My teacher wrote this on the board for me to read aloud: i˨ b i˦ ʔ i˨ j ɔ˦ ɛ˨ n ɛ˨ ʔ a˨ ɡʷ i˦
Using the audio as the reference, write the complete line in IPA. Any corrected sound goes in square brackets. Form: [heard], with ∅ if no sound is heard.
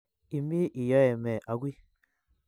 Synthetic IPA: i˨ [m] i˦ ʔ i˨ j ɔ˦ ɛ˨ [m] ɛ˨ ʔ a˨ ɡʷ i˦